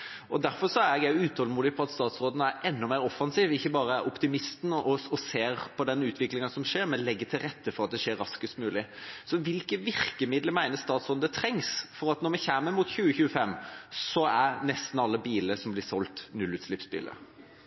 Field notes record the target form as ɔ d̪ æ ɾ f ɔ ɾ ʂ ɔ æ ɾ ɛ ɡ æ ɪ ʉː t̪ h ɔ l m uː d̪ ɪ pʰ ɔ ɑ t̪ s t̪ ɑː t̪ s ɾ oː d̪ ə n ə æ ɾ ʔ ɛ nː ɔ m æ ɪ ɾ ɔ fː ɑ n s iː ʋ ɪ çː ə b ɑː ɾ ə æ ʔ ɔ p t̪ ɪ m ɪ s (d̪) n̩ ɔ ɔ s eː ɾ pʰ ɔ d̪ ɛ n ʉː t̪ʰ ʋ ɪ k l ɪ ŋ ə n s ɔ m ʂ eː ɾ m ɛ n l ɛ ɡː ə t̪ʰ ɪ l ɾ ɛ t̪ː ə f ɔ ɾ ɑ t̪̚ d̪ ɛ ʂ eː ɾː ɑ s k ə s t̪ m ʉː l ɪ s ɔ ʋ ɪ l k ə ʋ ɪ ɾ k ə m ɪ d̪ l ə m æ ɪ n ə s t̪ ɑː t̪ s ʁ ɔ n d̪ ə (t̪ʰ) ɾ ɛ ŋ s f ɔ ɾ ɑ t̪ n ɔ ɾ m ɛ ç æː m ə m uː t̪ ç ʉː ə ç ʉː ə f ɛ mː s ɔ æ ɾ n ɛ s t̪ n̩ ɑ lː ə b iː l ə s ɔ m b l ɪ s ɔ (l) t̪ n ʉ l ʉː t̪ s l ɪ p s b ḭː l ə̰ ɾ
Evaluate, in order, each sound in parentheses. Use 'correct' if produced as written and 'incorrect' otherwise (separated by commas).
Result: incorrect, correct, correct